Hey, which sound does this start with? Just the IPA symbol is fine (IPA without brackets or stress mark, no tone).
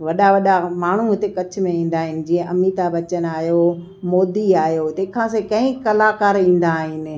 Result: ʋ